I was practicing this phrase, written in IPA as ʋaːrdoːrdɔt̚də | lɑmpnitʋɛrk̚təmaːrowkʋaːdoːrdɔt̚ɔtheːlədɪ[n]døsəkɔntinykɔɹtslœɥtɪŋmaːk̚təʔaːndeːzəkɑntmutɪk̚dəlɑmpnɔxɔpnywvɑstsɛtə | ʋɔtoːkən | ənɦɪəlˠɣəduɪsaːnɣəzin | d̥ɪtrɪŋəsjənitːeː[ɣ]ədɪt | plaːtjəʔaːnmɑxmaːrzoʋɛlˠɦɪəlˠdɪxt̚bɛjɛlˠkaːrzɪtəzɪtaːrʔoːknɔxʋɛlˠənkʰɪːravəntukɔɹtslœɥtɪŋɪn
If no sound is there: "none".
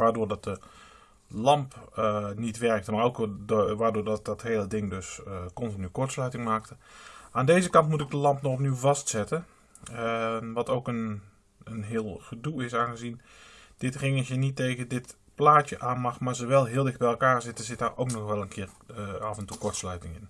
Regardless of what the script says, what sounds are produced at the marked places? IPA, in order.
ŋ, ɣ

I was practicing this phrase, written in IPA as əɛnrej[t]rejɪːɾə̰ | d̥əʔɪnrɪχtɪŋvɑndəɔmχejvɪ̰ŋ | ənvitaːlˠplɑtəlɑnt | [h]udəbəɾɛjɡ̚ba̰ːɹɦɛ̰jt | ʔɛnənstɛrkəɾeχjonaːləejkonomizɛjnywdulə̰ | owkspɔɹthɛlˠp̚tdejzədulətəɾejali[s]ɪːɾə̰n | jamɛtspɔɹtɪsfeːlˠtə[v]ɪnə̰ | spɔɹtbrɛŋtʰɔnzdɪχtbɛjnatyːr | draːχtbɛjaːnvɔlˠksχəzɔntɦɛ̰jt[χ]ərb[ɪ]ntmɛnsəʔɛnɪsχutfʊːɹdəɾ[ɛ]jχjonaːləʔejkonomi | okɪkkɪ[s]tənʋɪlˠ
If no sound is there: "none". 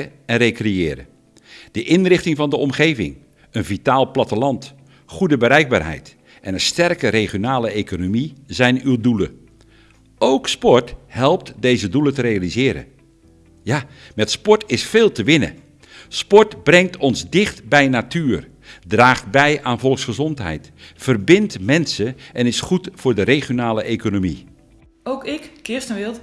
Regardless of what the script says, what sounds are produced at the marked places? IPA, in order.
k, χ, z, ʋ, f, ɪ, e, s

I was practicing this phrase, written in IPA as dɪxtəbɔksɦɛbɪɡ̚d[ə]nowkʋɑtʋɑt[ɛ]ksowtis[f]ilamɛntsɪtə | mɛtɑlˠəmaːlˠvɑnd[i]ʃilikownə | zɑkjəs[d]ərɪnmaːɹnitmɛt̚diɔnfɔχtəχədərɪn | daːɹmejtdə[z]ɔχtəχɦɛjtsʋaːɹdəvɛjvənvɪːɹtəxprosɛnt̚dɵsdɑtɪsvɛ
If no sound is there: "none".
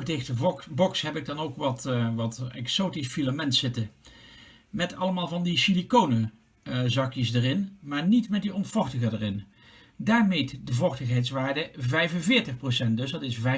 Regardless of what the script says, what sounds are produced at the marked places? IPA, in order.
ɑ, ɛ, f, i, d, v

